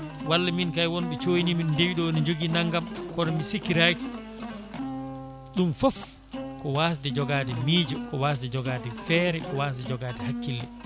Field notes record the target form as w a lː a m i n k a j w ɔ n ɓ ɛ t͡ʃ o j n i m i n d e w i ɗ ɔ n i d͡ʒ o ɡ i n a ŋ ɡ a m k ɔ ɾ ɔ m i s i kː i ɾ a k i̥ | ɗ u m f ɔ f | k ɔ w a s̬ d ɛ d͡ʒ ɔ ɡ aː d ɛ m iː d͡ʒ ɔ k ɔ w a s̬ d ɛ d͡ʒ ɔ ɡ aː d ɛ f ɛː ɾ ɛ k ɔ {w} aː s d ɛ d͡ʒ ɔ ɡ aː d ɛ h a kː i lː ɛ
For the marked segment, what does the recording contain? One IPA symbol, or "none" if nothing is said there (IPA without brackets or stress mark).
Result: w